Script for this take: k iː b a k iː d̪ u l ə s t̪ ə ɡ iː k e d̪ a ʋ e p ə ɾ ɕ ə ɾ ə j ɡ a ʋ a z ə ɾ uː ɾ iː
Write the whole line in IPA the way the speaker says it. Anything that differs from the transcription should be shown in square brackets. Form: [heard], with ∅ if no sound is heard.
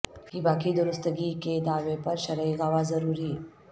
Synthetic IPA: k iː b a k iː d̪ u [ɾ] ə s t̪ ə ɡ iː k e d̪ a ʋ e p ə ɾ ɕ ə ɾ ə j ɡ a ʋ a z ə ɾ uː ɾ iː